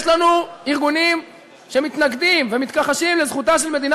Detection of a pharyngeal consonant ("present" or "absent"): absent